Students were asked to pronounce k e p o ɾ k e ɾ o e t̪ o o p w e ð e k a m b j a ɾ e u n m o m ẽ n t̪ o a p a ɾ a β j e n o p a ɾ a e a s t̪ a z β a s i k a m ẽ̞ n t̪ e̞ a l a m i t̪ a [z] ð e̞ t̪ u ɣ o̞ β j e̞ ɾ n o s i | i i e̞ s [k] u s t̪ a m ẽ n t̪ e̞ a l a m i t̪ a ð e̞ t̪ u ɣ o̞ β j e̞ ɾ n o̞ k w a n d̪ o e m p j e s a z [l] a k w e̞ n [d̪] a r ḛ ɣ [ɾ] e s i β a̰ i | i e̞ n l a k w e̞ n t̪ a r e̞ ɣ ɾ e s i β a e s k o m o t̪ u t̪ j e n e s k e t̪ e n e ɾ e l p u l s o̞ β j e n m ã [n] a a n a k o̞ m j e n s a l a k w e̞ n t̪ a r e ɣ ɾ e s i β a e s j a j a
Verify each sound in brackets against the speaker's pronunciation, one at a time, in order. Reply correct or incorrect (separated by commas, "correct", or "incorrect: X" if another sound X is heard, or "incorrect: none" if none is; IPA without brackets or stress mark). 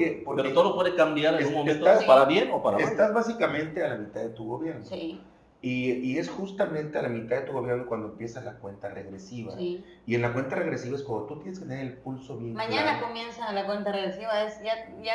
incorrect: ð, incorrect: x, correct, incorrect: t̪, correct, incorrect: ɲ